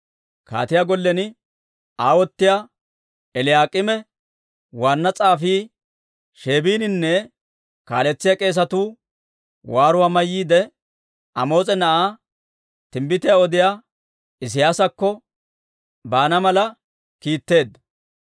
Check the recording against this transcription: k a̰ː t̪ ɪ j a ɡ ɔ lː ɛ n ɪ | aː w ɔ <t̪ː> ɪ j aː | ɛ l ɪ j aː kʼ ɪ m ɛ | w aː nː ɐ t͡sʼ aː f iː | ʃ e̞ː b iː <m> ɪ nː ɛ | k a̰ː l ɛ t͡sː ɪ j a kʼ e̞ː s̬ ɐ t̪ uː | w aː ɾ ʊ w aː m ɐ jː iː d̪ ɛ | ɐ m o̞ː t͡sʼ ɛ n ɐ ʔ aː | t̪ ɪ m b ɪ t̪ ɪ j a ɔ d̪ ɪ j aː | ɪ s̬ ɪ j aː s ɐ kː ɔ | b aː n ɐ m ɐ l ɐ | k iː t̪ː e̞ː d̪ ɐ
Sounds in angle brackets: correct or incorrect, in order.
correct, incorrect: n

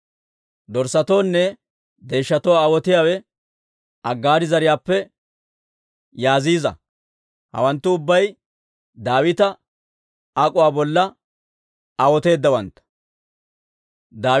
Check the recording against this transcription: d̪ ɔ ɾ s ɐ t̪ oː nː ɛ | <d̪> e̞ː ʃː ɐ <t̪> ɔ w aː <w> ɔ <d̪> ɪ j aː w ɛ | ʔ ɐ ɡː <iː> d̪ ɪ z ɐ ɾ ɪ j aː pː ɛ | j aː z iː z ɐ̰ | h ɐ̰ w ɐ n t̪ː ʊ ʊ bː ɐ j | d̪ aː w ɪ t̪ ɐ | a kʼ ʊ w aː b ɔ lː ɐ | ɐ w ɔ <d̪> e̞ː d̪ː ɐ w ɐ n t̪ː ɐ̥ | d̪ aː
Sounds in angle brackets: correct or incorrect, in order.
correct, correct, correct, incorrect: t̪, incorrect: aː, incorrect: t̪

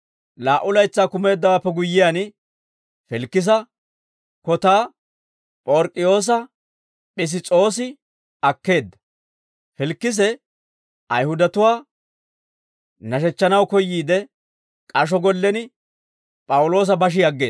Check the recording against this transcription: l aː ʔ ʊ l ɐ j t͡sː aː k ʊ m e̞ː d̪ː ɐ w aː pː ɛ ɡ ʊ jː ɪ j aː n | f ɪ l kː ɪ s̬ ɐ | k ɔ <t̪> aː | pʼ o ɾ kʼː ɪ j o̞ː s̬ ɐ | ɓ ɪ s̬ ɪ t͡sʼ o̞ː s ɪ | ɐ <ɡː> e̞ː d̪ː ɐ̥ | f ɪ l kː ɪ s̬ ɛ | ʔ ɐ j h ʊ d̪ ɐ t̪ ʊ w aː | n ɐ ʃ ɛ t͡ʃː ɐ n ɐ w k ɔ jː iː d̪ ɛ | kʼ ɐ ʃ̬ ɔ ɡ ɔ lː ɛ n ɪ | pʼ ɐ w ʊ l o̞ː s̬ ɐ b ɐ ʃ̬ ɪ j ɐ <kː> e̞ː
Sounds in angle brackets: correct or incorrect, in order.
correct, incorrect: kː, incorrect: ɡː

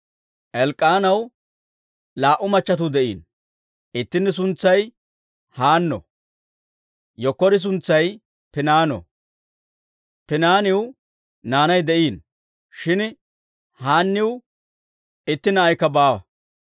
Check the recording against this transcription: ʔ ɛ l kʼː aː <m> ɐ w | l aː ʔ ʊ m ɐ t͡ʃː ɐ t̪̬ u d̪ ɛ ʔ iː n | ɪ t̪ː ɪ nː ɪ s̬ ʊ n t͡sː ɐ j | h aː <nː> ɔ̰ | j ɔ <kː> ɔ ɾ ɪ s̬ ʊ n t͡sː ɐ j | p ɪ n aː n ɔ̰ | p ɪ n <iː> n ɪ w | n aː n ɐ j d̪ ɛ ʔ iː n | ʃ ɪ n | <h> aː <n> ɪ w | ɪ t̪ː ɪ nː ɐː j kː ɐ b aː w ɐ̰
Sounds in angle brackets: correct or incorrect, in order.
incorrect: n, correct, correct, incorrect: aː, correct, incorrect: nː

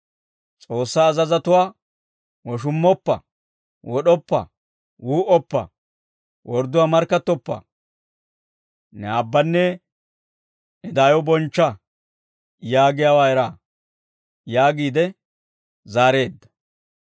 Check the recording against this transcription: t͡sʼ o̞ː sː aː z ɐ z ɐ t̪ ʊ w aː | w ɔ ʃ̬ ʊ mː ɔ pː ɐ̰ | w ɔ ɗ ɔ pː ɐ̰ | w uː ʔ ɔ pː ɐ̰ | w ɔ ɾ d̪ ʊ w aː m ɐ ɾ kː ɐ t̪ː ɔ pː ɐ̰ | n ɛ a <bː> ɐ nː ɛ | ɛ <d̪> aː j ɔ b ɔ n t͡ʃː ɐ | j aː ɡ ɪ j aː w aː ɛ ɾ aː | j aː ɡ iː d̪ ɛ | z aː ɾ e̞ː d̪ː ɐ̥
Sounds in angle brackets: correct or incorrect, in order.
correct, correct

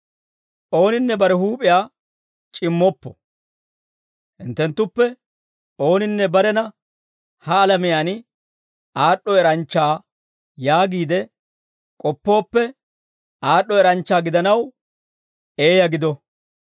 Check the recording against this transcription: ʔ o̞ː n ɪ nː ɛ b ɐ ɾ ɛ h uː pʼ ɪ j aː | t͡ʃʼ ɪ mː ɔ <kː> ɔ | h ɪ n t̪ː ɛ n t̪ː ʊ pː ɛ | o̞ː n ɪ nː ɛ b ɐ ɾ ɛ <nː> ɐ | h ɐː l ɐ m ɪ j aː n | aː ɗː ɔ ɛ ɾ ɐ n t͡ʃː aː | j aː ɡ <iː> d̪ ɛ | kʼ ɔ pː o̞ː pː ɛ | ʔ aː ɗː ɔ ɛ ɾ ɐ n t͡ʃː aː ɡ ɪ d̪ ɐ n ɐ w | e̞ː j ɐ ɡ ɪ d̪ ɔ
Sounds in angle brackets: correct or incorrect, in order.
incorrect: pː, incorrect: n, correct

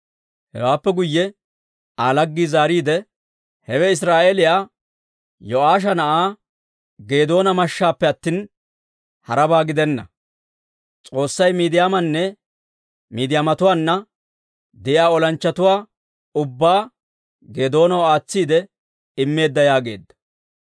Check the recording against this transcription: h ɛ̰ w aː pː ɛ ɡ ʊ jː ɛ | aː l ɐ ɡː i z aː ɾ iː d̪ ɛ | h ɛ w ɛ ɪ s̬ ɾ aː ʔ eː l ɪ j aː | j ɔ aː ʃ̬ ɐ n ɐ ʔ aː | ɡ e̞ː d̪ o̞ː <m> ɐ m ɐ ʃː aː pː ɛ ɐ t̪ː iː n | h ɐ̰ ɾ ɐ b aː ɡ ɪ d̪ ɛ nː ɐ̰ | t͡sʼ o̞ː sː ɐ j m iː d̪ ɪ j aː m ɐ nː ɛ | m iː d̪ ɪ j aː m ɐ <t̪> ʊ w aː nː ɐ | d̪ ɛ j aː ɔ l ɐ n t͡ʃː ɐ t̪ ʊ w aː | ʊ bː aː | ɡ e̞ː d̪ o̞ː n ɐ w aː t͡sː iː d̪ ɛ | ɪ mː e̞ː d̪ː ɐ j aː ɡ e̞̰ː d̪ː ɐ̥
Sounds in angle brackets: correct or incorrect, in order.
incorrect: n, correct

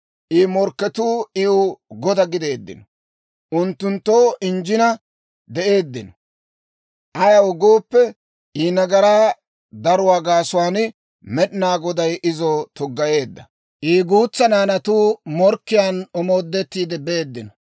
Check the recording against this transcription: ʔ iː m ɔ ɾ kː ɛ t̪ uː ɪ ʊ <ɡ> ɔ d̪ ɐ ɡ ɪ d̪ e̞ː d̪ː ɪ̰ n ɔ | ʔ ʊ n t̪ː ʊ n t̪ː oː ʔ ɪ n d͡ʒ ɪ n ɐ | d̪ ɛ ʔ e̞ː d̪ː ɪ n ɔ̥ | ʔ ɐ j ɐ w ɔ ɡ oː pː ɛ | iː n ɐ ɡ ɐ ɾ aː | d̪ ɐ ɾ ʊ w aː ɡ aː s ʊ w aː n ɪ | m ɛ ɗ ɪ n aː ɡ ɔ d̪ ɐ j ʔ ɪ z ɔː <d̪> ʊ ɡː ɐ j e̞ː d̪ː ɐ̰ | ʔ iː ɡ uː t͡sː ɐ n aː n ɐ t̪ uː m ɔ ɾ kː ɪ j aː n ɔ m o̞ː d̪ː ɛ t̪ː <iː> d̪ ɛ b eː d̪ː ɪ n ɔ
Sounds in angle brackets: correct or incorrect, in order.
correct, incorrect: t̪, correct

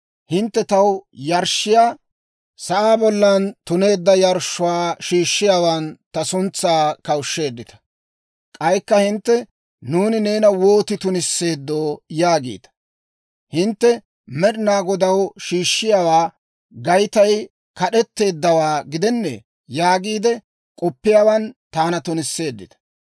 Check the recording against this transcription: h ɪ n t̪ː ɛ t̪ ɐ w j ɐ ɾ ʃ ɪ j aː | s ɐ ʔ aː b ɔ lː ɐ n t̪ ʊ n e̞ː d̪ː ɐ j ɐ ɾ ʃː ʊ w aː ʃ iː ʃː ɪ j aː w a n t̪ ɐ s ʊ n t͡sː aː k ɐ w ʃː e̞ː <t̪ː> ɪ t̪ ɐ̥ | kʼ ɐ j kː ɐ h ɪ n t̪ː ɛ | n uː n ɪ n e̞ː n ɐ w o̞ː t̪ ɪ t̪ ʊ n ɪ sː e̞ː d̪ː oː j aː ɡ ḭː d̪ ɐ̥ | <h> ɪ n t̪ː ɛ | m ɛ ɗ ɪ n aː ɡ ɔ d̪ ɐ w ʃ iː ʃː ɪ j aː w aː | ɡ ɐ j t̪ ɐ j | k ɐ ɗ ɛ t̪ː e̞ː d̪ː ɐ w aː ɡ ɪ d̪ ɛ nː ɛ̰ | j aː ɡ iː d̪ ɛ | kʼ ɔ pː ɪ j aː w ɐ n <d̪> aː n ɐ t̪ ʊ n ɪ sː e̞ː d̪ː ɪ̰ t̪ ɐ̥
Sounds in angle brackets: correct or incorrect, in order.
incorrect: d̪ː, correct, incorrect: t̪

